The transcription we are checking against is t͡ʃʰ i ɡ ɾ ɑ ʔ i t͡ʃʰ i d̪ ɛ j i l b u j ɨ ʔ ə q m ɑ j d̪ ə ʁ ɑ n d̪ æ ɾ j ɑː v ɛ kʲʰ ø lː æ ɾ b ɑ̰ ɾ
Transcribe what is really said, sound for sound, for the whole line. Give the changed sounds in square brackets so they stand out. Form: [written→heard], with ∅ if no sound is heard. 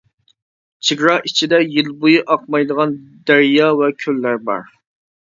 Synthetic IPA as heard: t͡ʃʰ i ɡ ɾ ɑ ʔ i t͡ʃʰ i d̪ ɛ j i l b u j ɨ ʔ [ə→ɑ] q m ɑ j d̪ ə ʁ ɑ n d̪ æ ɾ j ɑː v ɛ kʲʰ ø lː æ ɾ b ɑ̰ ɾ